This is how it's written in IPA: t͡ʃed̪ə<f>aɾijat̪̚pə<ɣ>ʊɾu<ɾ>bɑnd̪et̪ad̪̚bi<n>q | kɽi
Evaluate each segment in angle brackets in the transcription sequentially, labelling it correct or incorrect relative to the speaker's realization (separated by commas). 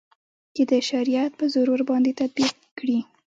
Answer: incorrect, incorrect, correct, incorrect